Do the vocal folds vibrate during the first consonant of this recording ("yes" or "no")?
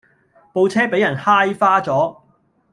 no